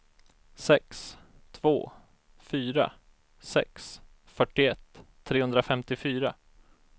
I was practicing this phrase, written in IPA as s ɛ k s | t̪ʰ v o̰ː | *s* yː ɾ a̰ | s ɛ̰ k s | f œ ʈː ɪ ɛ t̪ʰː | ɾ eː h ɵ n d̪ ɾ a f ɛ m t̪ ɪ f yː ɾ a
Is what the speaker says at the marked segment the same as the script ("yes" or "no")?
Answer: no